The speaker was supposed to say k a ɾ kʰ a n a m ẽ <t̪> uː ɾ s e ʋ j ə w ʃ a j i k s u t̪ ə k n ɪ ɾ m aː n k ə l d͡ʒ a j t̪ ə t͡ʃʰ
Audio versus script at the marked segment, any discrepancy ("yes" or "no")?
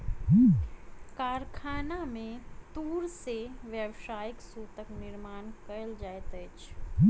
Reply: no